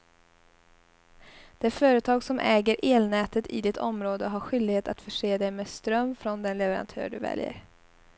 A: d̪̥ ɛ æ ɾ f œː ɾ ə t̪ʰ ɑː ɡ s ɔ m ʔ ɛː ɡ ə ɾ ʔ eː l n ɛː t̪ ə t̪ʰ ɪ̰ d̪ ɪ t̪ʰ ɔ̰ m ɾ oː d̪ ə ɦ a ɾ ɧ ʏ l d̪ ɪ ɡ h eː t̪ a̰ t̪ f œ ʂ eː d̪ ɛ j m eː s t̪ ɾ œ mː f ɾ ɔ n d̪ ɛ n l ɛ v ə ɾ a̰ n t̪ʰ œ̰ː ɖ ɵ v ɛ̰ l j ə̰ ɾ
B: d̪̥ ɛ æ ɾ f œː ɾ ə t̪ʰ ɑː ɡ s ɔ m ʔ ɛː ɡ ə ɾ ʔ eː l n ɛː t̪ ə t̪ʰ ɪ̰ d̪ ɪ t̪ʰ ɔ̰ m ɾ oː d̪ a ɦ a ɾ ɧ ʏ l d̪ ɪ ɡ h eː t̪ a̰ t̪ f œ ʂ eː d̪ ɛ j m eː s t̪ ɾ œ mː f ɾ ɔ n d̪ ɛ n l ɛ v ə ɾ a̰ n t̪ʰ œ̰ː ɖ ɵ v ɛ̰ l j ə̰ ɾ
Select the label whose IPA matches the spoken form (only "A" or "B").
A